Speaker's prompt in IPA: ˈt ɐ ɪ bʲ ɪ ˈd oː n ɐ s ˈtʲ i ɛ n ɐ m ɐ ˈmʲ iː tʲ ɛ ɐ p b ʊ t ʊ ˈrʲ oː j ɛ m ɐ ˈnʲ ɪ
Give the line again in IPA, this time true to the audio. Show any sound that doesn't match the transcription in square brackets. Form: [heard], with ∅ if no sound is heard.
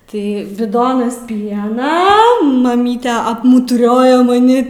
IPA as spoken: ˈt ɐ ɪ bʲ ɪ ˈd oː n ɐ s [ˈpʲ] i ɛ n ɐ m ɐ ˈmʲ iː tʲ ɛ ɐ p [m] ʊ t ʊ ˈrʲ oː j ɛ m ɐ ˈnʲ ɪ